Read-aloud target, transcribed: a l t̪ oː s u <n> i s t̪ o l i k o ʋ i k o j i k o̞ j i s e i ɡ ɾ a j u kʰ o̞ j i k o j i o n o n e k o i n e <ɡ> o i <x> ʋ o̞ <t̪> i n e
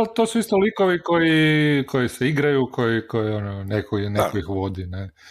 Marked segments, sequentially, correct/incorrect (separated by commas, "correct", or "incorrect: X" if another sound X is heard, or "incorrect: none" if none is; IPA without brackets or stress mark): incorrect: none, incorrect: k, correct, incorrect: d̪